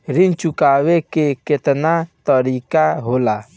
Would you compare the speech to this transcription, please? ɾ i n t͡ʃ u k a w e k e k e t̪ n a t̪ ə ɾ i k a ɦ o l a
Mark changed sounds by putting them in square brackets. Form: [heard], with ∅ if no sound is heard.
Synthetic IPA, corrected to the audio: ɾ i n t͡ʃ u k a w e k e k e t̪ n a t̪ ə ɾ i k a ɦ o l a